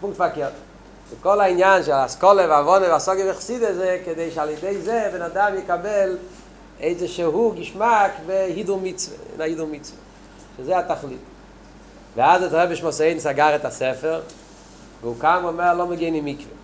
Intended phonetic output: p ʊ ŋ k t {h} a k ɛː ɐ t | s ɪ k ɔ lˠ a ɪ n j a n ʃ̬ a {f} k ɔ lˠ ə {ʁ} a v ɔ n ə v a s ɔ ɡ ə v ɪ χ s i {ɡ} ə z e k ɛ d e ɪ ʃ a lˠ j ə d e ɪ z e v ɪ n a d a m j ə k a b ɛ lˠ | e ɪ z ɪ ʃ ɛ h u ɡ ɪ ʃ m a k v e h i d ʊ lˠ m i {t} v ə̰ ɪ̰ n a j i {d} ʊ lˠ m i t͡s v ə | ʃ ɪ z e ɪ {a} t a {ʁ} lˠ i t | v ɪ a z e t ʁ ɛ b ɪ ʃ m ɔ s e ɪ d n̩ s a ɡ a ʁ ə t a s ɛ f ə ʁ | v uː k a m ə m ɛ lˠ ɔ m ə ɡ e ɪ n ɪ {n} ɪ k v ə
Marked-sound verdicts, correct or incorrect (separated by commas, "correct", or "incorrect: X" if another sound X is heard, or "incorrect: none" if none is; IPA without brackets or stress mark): incorrect: f, incorrect: s, incorrect: v, incorrect: d, incorrect: t͡s, correct, correct, incorrect: χ, incorrect: m